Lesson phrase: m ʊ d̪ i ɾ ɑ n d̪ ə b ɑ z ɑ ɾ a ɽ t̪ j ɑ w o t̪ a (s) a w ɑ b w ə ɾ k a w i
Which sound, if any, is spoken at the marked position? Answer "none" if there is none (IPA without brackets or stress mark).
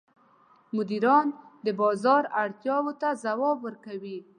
z